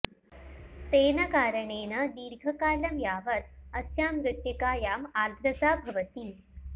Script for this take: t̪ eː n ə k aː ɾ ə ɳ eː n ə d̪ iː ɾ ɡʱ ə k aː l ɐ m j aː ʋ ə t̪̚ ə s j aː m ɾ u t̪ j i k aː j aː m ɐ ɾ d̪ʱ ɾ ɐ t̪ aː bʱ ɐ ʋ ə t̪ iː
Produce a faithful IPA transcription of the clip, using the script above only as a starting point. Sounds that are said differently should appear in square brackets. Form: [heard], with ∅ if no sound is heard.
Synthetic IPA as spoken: t̪ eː n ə k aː ɾ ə ɳ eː n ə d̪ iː ɾ ɡʱ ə k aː l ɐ m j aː ʋ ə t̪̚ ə s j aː m ɾ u t̪ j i k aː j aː m [a] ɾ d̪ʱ ɾ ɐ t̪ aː bʱ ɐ ʋ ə t̪ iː